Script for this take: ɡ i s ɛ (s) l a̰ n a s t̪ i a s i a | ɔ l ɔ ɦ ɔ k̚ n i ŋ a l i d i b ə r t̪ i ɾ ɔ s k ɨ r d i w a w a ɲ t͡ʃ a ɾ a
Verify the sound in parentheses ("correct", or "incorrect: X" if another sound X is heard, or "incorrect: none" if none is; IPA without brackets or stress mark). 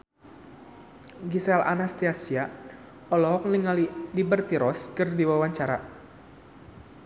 incorrect: none